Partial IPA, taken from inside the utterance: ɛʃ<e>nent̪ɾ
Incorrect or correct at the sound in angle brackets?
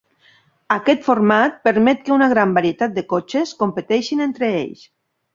incorrect: i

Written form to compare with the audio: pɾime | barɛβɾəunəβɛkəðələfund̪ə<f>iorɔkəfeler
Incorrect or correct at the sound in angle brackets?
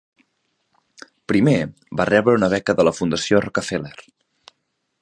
incorrect: s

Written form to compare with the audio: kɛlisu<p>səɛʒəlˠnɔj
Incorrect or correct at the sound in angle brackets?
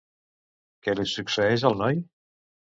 incorrect: k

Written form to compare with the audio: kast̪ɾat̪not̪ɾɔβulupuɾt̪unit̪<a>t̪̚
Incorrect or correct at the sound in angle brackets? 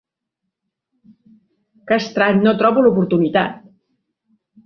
correct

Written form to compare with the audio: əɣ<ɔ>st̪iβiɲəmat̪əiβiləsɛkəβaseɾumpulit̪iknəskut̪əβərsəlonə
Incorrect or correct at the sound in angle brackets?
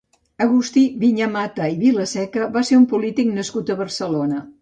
incorrect: u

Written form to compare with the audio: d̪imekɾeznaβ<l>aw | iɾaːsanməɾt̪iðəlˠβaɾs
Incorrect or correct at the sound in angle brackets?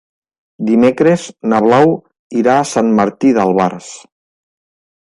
correct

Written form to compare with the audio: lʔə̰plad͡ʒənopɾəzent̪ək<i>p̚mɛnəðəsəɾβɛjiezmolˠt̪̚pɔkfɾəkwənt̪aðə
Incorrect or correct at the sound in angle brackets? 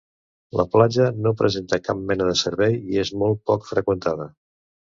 incorrect: a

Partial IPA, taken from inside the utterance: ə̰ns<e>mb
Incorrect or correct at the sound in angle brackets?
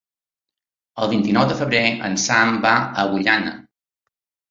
incorrect: a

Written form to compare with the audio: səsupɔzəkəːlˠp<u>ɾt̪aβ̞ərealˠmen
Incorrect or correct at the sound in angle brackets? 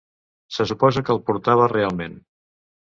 correct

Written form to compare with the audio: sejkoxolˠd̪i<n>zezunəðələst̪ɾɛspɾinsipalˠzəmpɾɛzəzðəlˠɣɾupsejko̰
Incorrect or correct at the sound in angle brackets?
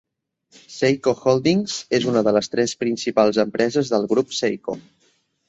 incorrect: ŋ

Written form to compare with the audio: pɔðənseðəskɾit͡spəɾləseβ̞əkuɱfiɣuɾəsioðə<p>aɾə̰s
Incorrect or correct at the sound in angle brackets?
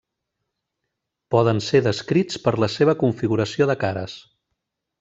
incorrect: k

